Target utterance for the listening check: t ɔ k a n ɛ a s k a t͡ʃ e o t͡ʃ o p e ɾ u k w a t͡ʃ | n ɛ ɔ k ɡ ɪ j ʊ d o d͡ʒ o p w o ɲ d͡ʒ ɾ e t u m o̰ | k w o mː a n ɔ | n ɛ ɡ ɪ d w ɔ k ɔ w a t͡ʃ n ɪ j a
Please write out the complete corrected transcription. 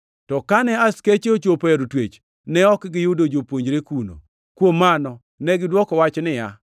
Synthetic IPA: t ɔ k a n ɛ a s k e t͡ʃ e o t͡ʃ o p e ɾ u t w e t͡ʃ | n ɛ ɔ k ɡ ɪ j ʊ d o d͡ʒ o p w o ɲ d͡ʒ ɾ e k u n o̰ | k w o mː a n ɔ | n ɛ ɡ ɪ d w ɔ k ɔ w a t͡ʃ n ɪ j a